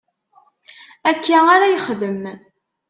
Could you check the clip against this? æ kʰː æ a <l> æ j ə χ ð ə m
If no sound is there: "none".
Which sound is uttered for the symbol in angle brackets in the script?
ɾ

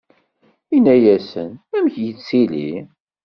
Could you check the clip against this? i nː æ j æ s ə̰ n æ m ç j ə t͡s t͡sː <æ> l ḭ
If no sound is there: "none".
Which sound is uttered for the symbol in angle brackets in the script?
i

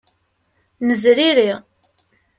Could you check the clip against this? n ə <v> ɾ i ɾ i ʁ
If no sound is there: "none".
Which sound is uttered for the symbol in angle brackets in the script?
z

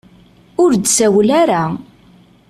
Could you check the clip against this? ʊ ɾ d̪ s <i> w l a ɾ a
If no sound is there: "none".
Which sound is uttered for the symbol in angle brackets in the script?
æ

